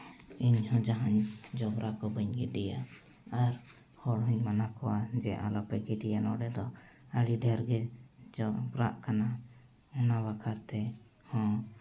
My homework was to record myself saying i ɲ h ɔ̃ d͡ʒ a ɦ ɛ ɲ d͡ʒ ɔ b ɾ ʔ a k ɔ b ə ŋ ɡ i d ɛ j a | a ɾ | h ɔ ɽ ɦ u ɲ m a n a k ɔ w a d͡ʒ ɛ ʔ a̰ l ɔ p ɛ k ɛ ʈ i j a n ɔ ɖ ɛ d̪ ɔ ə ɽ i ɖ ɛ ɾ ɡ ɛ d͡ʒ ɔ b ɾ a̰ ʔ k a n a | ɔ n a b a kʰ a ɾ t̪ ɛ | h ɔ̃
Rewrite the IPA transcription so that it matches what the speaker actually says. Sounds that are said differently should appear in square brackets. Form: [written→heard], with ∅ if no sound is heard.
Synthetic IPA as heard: i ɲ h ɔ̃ d͡ʒ a ɦ [ɛ→a] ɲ d͡ʒ ɔ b ɾ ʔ a k ɔ b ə [ŋ→ɲ] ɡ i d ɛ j a | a ɾ | h ɔ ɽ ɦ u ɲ m a n a k ɔ w a d͡ʒ ɛ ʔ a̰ l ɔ p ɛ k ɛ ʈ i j a n ɔ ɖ ɛ d̪ ɔ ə ɽ i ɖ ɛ ɾ ɡ ɛ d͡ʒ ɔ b ɾ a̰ ʔ k a n a | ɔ n a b a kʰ a ɾ t̪ ɛ | h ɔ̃